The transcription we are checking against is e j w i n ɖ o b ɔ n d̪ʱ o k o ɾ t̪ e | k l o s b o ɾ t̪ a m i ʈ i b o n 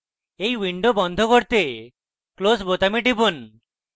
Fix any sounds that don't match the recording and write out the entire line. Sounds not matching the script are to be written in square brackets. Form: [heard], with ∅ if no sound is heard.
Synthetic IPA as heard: e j w i [ɳ] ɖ o b ɔ n d̪ʱ o k o ɾ t̪ e | k l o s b o [∅] t̪ a m i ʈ i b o n